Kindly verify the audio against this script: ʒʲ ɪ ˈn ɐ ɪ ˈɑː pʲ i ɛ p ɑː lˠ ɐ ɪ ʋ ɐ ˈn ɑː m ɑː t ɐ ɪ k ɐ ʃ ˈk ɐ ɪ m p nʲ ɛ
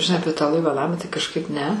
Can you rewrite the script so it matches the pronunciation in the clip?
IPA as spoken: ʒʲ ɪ ˈn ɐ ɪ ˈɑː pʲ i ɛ t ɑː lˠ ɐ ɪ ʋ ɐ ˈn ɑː m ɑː t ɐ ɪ k ɐ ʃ ˈk ɐ ɪ p nʲ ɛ